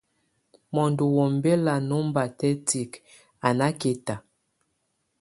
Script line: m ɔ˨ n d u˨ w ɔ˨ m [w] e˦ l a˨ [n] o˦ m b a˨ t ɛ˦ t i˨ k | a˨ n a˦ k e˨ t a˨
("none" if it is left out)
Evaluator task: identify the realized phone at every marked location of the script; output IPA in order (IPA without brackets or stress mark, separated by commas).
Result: b, n